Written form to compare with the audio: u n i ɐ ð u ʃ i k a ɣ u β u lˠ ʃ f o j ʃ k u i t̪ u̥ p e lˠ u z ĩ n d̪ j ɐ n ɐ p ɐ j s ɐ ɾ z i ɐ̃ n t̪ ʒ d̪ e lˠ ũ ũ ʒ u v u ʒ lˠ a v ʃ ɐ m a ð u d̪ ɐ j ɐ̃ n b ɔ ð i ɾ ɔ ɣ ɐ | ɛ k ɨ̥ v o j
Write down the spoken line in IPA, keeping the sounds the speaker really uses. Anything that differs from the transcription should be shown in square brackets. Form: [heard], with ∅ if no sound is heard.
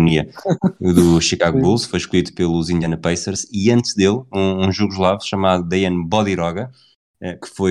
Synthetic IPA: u n i ɐ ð u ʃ i k a ɣ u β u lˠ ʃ f o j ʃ k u i t̪ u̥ p e lˠ u z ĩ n d̪ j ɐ n ɐ p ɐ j s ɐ ɾ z i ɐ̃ n t̪ ʒ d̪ e lˠ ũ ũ ʒ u [ɣ] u ʒ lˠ a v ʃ ɐ m a ð u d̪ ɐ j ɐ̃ n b ɔ ð i ɾ ɔ ɣ ɐ | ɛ k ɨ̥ [f] o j